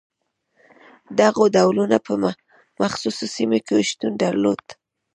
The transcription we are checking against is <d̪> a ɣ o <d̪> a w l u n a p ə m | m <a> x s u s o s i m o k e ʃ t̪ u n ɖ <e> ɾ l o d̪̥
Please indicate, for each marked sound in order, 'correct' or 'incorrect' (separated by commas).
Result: correct, correct, correct, incorrect